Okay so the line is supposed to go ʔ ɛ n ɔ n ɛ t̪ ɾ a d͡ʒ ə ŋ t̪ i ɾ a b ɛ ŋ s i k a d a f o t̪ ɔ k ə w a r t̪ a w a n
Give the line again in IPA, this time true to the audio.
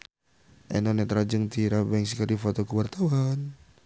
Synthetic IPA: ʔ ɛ n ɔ n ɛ t̪ ɾ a d͡ʒ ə ŋ t̪ i ɾ a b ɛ ŋ s i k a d i f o t̪ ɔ k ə w a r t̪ a w a n